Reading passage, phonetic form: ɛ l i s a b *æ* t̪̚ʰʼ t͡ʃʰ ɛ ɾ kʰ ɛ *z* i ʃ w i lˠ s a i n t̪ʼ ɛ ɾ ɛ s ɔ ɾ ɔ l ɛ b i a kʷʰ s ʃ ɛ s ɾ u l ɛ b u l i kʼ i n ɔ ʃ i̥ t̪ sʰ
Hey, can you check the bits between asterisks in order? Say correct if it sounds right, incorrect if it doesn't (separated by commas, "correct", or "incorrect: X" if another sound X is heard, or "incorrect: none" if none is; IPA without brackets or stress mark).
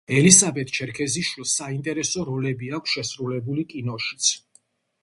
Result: incorrect: ɛ, correct